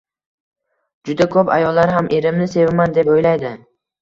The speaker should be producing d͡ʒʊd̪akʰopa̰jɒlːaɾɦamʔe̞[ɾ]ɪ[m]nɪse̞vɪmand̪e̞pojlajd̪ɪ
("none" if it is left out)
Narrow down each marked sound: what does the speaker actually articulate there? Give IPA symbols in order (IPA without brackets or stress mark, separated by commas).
ɾ, m